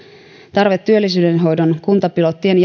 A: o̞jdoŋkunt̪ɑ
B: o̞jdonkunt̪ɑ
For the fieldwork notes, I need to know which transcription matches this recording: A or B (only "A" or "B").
B